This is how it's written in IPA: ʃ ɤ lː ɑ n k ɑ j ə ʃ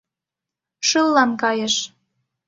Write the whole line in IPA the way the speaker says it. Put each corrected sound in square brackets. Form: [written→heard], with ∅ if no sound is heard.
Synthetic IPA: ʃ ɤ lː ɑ n k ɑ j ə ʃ